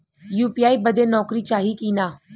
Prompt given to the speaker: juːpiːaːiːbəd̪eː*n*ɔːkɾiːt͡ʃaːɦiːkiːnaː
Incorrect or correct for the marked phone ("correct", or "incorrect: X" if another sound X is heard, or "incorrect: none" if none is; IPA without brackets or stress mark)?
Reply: correct